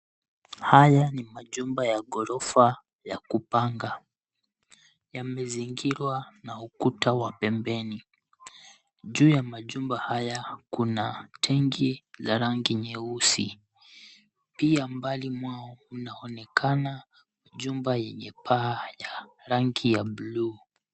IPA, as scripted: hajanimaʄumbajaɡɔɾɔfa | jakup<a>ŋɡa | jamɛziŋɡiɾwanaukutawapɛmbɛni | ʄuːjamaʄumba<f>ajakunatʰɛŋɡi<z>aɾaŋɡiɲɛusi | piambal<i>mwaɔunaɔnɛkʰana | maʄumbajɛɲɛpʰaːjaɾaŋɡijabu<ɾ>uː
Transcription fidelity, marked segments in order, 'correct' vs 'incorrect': correct, incorrect: h, correct, correct, incorrect: l

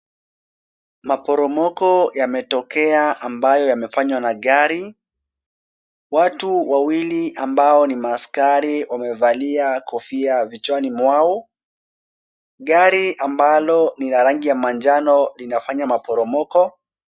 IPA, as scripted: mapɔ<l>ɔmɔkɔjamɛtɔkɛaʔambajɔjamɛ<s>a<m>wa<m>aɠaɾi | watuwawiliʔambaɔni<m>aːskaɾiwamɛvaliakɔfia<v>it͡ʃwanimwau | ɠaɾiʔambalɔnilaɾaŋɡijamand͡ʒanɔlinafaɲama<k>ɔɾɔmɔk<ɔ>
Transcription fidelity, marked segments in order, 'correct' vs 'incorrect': incorrect: ɾ, incorrect: f, incorrect: ɲ, incorrect: n, correct, correct, incorrect: p, correct

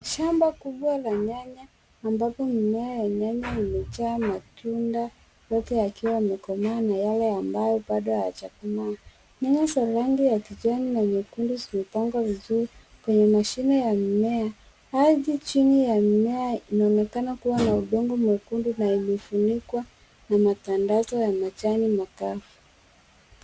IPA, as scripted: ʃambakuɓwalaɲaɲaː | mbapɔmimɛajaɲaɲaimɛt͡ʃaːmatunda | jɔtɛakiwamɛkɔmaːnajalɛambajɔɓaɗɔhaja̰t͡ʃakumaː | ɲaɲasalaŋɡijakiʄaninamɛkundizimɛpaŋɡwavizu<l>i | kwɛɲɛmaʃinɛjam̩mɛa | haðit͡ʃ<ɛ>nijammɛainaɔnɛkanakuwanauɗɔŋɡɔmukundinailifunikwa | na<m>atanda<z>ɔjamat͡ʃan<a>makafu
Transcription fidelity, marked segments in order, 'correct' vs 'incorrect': incorrect: ɾ, incorrect: i, correct, correct, incorrect: i

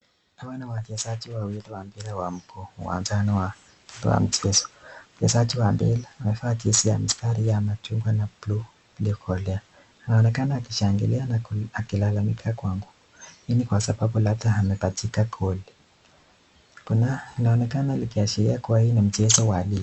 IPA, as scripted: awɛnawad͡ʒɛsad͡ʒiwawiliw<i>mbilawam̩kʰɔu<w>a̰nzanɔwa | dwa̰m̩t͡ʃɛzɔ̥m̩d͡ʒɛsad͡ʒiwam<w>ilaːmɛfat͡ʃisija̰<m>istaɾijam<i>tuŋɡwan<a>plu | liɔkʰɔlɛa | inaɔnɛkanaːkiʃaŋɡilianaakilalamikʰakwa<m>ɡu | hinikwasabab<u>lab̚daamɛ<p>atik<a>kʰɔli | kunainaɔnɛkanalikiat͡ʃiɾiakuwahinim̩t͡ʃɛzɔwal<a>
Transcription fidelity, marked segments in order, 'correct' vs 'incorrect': incorrect: a, correct, incorrect: b, correct, incorrect: a, correct, incorrect: ŋ, correct, correct, correct, incorrect: i

